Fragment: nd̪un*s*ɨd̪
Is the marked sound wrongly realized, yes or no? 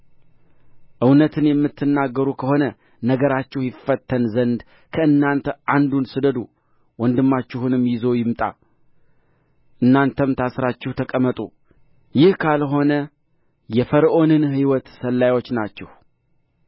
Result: no